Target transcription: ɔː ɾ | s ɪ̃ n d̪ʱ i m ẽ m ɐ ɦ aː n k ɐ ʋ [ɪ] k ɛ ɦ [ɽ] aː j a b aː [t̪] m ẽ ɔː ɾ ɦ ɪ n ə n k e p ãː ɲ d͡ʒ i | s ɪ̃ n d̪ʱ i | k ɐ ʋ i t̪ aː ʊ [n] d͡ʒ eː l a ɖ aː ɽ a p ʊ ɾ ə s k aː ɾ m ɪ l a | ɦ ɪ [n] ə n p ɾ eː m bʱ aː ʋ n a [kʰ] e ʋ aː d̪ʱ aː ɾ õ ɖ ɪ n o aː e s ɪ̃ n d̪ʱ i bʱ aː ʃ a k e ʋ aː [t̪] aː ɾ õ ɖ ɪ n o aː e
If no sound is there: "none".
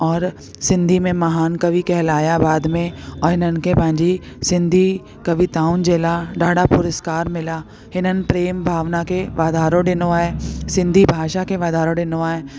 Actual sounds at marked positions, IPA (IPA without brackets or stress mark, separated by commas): i, l, d̪, n, n, k, d̪